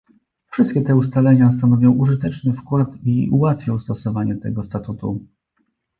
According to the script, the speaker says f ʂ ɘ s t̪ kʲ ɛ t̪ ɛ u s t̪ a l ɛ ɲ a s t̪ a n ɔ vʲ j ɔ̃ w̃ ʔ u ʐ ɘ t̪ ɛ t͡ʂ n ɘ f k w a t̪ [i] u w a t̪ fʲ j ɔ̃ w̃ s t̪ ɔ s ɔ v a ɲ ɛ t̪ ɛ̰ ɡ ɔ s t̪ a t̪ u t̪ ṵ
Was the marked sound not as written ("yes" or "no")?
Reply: no